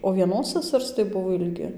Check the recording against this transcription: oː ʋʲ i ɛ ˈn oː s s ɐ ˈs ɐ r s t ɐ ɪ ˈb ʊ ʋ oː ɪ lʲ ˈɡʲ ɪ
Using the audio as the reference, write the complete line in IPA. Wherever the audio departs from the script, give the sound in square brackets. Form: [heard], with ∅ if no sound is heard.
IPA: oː ʋʲ i ɛ ˈn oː s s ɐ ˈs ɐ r s t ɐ ɪ ˈb ʊ ʋ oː ɪ lʲ ˈɡʲ ɪ